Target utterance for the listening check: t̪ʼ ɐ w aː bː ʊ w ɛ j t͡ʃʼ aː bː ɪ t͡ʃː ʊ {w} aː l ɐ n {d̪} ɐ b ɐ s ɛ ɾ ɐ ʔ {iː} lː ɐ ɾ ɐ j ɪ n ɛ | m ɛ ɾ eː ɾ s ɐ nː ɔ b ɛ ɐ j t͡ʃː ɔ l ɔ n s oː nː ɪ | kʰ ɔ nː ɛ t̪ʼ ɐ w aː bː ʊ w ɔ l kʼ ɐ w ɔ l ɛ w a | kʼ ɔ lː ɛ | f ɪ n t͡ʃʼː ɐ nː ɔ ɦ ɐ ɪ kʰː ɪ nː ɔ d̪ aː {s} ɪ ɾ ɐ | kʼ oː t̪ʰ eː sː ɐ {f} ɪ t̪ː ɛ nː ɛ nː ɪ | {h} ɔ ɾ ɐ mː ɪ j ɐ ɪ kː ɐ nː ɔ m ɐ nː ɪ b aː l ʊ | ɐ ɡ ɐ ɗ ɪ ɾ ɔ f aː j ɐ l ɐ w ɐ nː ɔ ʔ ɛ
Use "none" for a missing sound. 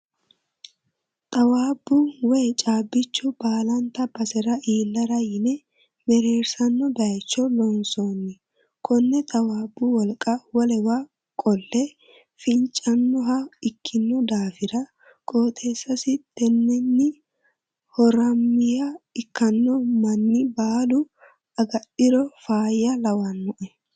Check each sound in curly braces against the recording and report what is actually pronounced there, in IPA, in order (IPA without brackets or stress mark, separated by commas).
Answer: b, t̪, iː, f, s, h